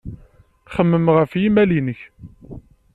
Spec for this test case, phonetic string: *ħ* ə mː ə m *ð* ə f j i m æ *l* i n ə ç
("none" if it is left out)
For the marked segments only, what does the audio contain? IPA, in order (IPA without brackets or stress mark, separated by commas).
χ, ʁ, l